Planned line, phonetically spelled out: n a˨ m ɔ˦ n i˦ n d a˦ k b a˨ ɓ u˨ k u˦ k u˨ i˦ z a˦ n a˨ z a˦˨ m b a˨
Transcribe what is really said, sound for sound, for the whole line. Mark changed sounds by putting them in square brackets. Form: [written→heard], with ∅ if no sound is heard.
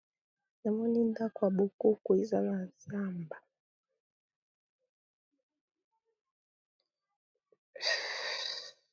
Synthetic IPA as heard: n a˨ m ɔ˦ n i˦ n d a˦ k [b→w] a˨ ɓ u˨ k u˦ k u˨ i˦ z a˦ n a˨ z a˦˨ m b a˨